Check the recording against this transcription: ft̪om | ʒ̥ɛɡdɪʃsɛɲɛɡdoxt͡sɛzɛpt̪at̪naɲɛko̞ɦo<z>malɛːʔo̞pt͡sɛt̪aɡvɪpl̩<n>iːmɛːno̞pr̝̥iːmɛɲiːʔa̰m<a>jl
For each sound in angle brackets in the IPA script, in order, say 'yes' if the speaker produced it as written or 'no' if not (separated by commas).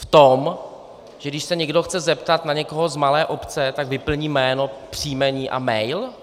yes, no, no